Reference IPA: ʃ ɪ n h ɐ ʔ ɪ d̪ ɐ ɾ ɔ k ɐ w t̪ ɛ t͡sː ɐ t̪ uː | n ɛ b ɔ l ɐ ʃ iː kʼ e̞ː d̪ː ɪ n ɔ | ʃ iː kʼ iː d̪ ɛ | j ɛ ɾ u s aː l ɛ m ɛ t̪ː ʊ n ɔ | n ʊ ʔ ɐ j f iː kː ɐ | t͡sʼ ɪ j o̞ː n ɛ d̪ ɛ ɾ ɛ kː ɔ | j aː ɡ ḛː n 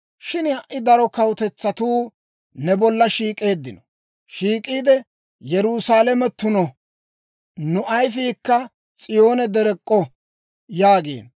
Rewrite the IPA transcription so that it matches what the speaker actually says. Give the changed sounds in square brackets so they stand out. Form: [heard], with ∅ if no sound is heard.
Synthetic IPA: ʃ ɪ n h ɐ ʔ ɪ d̪ ɐ ɾ ɔ k ɐ w t̪ ɛ t͡sː ɐ t̪ uː | n ɛ b ɔ [lː] ɐ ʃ iː kʼ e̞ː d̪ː ɪ n ɔ | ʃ iː kʼ iː d̪ ɛ | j ɛ ɾ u s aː l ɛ m ɛ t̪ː ʊ n ɔ | n ʊ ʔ ɐ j f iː kː ɐ | t͡sʼ ɪ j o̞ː n ɛ d̪ ɛ ɾ ɛ [kʼː] ɔ | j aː ɡ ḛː n